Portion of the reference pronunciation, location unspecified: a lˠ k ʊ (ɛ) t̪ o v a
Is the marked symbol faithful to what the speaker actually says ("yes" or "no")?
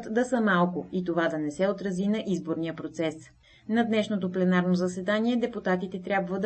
no